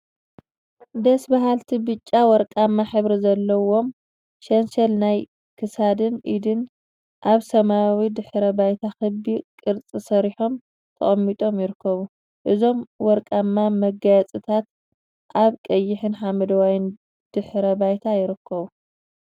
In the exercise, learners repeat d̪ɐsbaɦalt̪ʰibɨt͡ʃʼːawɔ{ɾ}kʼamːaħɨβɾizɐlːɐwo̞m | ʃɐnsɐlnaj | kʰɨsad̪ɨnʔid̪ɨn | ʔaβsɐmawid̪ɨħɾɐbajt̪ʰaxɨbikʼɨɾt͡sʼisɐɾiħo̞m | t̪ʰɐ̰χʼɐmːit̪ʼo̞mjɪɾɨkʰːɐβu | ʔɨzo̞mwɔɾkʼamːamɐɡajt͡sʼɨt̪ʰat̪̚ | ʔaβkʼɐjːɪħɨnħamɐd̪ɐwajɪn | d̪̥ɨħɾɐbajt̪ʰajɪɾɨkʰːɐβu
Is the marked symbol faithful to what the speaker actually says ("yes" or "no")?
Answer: yes